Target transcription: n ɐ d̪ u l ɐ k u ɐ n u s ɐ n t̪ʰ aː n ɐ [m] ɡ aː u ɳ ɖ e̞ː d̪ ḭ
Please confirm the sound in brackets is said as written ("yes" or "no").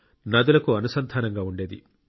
no